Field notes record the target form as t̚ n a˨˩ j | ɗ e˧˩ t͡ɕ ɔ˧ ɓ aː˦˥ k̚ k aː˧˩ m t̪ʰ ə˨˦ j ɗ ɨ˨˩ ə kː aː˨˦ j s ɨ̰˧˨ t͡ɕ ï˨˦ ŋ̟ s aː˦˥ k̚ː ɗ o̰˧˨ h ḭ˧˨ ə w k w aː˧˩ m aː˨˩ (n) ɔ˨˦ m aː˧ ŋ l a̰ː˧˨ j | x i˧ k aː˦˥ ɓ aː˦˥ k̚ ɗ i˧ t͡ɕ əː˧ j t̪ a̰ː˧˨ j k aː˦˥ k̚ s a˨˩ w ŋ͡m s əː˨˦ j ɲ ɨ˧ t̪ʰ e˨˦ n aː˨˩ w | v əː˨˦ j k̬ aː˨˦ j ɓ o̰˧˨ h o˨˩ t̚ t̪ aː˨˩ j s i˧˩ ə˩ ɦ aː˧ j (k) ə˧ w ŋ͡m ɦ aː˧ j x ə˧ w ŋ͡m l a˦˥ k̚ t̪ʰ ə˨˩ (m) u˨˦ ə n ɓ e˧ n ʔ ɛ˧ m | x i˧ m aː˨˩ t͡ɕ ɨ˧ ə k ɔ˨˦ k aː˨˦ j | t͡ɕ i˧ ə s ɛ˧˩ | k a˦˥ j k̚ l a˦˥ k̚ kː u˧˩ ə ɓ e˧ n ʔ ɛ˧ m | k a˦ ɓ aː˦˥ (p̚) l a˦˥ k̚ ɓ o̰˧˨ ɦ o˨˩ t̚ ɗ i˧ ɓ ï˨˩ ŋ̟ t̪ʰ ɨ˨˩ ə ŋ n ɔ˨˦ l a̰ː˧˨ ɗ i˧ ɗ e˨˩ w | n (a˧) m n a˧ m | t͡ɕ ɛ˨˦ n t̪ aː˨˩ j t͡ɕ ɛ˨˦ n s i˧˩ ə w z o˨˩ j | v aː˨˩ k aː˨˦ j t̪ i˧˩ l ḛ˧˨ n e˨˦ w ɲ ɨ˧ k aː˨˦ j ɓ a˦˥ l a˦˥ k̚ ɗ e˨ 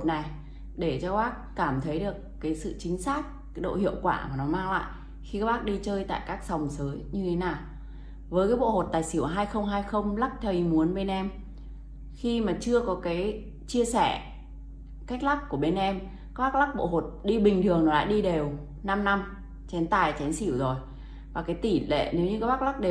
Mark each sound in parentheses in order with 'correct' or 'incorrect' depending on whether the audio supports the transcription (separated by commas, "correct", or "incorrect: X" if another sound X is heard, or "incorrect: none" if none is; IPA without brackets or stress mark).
correct, incorrect: x, correct, incorrect: k̚, correct